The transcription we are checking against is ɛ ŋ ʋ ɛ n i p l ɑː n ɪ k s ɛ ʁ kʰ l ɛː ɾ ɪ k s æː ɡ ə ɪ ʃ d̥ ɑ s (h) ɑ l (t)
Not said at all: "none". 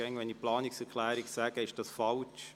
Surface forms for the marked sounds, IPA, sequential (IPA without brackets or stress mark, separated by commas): f, t͡ʃ